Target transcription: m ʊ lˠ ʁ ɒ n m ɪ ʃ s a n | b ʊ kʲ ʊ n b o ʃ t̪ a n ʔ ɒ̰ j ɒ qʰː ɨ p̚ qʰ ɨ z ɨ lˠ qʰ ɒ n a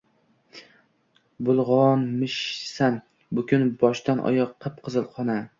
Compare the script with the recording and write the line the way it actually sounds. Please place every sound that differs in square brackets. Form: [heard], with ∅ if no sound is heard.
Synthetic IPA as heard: [b] ʊ lˠ ʁ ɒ n m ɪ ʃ s a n | b ʊ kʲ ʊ n b [ɒ] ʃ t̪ a n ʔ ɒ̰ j ɒ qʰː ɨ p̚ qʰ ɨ z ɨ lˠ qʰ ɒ n a